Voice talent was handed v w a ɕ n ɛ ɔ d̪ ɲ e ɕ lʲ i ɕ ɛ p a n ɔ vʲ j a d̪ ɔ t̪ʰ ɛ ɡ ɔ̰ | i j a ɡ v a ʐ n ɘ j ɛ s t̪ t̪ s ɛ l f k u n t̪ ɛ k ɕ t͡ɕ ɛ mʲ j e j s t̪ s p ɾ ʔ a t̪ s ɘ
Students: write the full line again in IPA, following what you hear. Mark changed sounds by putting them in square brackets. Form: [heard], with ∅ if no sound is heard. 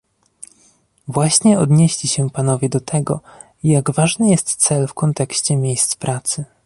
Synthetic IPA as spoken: v w a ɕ [ɲ] ɛ ɔ d̪ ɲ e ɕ lʲ i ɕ ɛ p a n ɔ vʲ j [ɛ] d̪ ɔ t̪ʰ ɛ ɡ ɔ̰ | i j a ɡ v a ʐ n ɘ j ɛ s t̪ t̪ s ɛ l f k [ɔ] n t̪ ɛ k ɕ t͡ɕ ɛ mʲ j e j s t̪ s p ɾ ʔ a t̪ s ɘ